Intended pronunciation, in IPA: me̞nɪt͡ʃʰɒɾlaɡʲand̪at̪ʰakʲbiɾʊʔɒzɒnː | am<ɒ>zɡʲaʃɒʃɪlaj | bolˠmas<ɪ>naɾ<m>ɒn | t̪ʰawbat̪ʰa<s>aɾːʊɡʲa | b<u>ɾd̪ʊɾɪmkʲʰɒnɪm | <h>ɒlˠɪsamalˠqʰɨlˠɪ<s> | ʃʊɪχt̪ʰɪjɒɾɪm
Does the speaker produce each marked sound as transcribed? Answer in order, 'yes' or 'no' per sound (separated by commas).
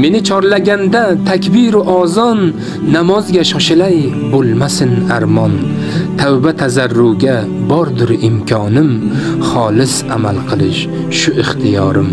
yes, yes, yes, no, no, no, no